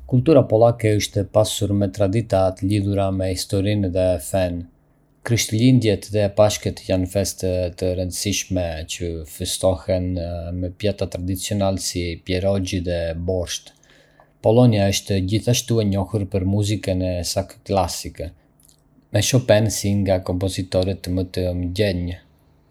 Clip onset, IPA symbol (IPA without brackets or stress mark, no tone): k